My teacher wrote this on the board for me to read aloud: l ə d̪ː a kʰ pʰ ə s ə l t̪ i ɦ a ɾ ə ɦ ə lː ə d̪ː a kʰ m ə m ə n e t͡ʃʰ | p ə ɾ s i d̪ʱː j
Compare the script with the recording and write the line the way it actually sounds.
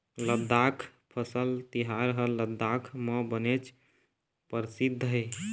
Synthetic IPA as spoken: l ə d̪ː a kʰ pʰ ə s ə l t̪ i ɦ a ɾ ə ɦ ə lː ə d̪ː a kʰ m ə b ə n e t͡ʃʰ | p ə ɾ s i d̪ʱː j